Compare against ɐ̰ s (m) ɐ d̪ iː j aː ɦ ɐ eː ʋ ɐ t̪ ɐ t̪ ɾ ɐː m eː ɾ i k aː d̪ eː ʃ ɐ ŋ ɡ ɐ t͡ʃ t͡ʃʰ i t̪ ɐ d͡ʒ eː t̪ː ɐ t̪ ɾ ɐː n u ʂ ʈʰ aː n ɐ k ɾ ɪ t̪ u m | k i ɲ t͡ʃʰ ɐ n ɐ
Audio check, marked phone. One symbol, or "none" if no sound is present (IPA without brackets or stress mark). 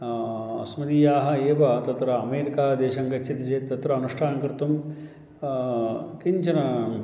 m